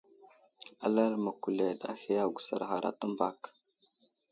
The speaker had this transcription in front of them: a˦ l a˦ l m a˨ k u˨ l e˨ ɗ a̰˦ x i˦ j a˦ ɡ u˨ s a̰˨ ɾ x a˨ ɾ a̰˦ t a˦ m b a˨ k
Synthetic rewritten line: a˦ l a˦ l m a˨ k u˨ l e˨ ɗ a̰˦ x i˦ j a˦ ɡ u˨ s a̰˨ ɾ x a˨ ɾ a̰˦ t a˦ m b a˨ k